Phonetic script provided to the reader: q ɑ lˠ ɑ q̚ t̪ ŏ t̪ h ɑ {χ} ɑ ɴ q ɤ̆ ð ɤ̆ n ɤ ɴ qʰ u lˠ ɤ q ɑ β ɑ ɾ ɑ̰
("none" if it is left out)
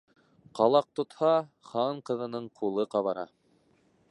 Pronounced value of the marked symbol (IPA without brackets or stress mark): χ